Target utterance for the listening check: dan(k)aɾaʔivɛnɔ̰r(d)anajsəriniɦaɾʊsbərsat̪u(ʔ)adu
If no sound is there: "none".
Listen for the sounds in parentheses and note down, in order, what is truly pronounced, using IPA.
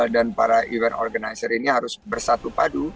p, ɡ, p

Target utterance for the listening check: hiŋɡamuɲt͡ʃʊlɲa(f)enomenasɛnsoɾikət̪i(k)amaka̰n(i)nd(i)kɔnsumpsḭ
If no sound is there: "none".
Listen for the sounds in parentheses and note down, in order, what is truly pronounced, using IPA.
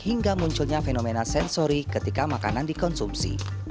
f, k, a, i

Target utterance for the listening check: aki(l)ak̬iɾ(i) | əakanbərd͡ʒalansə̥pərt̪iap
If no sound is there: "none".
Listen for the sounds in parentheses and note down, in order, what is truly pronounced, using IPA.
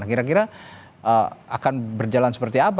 ɾ, a

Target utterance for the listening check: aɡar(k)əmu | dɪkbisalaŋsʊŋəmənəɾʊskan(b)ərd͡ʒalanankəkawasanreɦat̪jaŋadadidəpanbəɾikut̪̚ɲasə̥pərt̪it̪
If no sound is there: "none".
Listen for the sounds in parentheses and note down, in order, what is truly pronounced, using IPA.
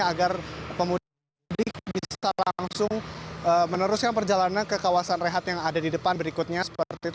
p, p

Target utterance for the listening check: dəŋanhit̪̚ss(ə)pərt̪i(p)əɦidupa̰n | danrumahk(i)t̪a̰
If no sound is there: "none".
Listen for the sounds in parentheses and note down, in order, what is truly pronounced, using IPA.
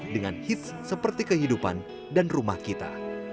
ə, k, i

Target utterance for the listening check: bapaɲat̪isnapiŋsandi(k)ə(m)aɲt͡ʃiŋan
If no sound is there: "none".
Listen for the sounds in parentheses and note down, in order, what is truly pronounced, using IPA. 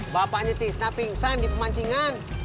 p, m

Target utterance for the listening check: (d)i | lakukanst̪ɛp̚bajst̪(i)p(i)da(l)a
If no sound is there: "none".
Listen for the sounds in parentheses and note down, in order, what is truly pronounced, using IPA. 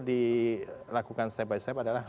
d, ɛ, a, l

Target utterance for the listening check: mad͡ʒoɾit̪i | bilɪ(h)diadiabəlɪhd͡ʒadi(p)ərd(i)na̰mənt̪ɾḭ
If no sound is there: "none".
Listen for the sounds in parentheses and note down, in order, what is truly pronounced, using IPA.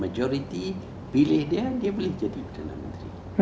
h, p, a

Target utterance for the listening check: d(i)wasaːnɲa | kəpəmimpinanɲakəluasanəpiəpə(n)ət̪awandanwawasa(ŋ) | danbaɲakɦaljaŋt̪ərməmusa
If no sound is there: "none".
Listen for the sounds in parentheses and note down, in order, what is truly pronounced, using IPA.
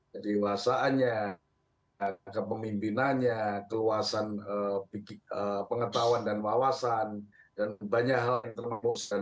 i, ŋ, n

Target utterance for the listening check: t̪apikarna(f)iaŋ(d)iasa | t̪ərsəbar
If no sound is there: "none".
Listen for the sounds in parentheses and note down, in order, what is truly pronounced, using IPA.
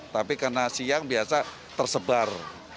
s, b

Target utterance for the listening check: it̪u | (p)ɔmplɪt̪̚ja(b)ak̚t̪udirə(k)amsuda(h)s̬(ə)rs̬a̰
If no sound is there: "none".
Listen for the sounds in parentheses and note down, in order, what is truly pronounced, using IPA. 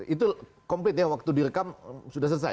k, w, k, h, ə

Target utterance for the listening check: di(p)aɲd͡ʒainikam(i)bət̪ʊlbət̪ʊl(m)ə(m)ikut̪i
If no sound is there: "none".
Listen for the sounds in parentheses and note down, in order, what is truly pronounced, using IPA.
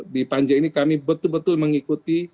p, i, m, ŋ

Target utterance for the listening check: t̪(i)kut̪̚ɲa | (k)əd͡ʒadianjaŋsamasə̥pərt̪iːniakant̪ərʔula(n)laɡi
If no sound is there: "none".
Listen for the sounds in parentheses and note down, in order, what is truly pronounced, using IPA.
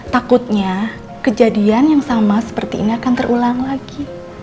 a, k, ŋ

